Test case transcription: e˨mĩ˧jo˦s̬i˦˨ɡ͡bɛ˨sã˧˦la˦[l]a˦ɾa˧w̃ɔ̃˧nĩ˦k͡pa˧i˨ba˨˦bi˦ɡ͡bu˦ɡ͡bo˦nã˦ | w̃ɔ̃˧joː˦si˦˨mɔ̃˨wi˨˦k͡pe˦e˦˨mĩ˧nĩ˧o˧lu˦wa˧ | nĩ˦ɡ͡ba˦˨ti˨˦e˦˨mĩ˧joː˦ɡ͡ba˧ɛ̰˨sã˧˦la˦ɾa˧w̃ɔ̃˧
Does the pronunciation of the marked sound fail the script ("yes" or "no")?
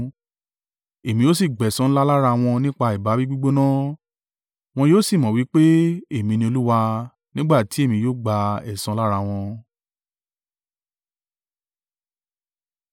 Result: no